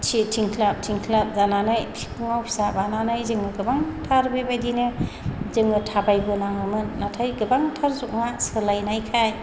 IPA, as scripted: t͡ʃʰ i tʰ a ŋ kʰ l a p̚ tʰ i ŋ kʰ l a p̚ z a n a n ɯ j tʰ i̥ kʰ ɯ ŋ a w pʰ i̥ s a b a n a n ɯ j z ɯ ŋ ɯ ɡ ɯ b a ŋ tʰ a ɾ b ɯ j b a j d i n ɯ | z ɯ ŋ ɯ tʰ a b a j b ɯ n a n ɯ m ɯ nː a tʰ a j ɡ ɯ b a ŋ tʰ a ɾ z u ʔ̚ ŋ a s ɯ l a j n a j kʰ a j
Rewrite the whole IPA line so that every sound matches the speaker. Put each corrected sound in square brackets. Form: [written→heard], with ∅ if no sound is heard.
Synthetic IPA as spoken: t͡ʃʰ i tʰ [a→i] ŋ kʰ l a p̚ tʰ i ŋ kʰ l a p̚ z a n a n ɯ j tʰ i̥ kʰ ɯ ŋ a w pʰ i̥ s a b a n a n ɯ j z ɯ ŋ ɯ ɡ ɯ b a ŋ tʰ a ɾ b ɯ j b a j d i n ɯ | z ɯ ŋ ɯ tʰ a b a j b ɯ n a [n→ŋ] ɯ m ɯ nː a tʰ a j ɡ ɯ b a ŋ tʰ a ɾ z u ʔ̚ ŋ a s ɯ l a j n a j kʰ a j